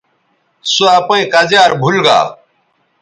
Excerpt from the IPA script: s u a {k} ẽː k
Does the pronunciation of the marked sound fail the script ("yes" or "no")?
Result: yes